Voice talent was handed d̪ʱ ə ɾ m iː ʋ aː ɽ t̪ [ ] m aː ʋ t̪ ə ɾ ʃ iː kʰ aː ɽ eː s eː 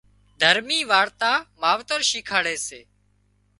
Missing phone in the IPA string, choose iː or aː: aː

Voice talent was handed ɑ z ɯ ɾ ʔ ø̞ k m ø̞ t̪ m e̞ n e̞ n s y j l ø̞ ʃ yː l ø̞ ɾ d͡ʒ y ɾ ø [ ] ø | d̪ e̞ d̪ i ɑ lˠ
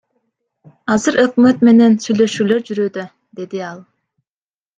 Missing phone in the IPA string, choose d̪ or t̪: d̪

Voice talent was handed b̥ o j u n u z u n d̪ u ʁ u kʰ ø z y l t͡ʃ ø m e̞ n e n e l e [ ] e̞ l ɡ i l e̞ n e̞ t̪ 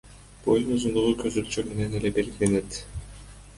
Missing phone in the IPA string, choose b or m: b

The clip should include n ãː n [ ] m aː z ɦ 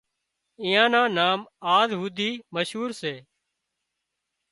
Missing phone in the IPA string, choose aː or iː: aː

